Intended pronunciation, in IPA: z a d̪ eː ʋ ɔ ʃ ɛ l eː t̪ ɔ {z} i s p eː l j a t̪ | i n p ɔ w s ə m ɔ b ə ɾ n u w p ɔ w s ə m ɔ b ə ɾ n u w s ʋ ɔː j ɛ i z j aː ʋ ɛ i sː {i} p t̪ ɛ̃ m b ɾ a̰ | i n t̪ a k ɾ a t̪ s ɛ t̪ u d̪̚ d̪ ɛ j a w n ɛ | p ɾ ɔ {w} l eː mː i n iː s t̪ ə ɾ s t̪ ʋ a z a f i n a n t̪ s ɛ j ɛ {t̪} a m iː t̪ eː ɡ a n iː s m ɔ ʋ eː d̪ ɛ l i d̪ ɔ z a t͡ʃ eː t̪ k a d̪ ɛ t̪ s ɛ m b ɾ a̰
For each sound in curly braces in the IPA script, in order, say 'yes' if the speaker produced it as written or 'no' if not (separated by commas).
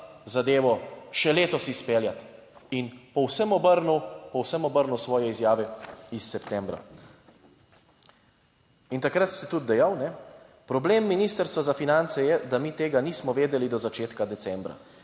no, no, no, no